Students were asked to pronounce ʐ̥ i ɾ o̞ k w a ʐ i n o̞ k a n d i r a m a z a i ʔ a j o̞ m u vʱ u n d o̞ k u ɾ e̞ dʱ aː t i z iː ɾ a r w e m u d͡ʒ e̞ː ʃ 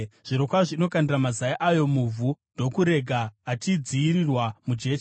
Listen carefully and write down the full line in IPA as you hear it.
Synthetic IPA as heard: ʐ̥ i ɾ o̞ k w a ʐ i n o̞ k a n d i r a m a z a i ʔ a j o̞ m u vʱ u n d o̞ k u ɾ e̞ ɡʱ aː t i d͡z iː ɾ i r w a m u d͡ʒ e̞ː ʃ